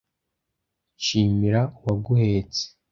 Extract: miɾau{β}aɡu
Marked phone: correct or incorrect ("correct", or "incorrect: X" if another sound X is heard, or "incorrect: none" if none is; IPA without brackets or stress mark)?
incorrect: w